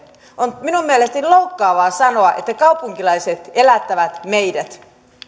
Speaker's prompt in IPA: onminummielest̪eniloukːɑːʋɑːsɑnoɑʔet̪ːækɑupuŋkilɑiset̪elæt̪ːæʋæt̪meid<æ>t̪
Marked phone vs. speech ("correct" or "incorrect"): correct